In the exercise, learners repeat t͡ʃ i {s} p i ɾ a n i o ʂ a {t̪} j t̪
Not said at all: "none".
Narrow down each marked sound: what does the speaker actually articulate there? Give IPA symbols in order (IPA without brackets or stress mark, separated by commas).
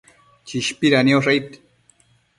ʃ, none